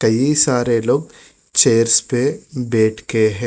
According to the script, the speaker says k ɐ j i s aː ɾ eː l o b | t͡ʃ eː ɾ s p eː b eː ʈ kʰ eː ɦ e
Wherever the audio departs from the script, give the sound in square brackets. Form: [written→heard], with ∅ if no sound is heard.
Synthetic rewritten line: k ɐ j i s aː ɾ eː l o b | t͡ʃ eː ɾ s p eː b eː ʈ [kʰ→k] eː ɦ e

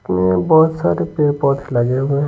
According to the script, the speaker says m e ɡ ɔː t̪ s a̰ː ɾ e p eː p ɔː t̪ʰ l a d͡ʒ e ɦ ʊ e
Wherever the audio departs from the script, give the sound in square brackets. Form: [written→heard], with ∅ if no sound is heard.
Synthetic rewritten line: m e [ɡ→b] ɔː t̪ s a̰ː ɾ e p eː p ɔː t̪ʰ l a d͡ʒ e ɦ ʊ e

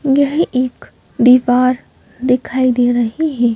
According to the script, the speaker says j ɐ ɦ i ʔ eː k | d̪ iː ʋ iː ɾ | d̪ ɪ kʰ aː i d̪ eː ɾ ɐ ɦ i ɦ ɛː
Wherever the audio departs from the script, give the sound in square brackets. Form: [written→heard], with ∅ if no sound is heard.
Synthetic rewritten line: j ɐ ɦ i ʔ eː k | d̪ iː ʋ [iː→aː] ɾ | d̪ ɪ kʰ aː i d̪ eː ɾ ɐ ɦ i ɦ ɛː

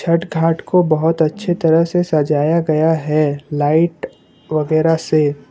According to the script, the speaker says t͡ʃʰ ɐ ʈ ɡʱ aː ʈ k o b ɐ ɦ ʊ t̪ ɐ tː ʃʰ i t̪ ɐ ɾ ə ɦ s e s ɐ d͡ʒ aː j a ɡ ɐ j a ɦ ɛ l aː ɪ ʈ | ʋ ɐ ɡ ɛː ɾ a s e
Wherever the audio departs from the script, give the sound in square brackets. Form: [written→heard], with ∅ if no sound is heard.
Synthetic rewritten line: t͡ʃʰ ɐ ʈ ɡʱ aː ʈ k o b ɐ ɦ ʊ t̪ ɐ tː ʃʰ [i→e] t̪ ɐ ɾ ə ɦ s e s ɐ d͡ʒ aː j a ɡ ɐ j a ɦ ɛ l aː ɪ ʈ | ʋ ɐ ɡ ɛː ɾ a s e

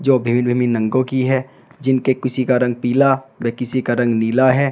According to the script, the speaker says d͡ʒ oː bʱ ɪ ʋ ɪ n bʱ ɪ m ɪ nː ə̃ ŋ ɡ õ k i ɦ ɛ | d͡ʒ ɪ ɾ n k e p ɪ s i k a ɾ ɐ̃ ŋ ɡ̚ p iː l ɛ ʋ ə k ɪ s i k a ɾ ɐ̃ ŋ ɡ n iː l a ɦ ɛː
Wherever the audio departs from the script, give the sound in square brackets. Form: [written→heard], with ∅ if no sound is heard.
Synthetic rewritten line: d͡ʒ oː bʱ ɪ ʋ ɪ n bʱ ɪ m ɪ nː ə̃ ŋ ɡ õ k i ɦ ɛ | d͡ʒ ɪ [ɾ→∅] n k e [p→k] ɪ s i k a ɾ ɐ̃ ŋ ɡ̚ p iː l [ɛ→a] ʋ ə k ɪ s i k a ɾ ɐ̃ ŋ ɡ n iː l a ɦ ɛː

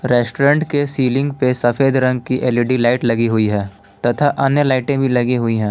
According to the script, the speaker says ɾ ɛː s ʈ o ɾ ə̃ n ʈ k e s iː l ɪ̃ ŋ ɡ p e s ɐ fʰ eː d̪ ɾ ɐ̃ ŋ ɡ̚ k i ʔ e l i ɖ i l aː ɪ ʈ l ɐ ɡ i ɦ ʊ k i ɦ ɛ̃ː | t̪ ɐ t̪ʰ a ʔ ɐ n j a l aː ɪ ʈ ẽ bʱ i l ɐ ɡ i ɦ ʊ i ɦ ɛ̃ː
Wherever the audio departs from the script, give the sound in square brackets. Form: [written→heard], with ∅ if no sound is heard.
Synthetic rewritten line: ɾ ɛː s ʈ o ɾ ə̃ [n→ɳ] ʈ k e s iː l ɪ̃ ŋ ɡ p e s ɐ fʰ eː d̪ ɾ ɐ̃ ŋ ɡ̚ k i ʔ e l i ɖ i l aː ɪ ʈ l ɐ ɡ i ɦ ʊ [k→∅] i ɦ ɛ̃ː | t̪ ɐ t̪ʰ a ʔ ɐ n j [a→ə] l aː ɪ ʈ ẽ bʱ i l ɐ ɡ i ɦ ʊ i ɦ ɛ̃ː

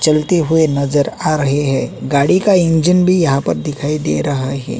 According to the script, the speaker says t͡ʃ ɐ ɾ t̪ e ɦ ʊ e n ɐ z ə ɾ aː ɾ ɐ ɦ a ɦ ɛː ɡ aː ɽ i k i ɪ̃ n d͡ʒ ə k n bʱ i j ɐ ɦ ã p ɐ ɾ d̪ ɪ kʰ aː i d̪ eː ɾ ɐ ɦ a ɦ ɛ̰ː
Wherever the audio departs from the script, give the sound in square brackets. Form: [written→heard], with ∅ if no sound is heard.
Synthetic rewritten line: t͡ʃ ɐ [ɾ→l] t̪ e ɦ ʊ e n ɐ z ə ɾ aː ɾ ɐ ɦ [a→e] ɦ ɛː ɡ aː ɽ i k [i→a] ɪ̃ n d͡ʒ ə [k→∅] n bʱ i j ɐ ɦ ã p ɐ ɾ d̪ ɪ kʰ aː i d̪ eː ɾ ɐ ɦ a ɦ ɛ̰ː

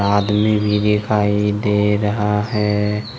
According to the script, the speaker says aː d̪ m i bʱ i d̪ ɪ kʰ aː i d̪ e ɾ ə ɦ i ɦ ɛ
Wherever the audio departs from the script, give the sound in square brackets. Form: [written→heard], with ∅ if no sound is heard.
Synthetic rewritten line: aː d̪ m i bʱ i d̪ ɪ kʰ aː i d̪ e ɾ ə ɦ [i→a] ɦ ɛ

